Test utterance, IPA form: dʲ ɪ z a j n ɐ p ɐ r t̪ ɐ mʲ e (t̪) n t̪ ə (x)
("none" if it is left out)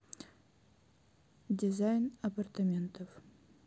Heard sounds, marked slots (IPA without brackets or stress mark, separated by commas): none, f